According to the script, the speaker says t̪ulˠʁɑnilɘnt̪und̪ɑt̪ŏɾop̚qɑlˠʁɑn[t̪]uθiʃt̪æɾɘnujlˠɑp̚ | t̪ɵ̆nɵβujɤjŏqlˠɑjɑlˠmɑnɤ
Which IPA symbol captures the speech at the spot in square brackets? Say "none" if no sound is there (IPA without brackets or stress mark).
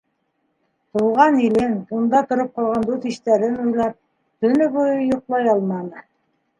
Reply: d̪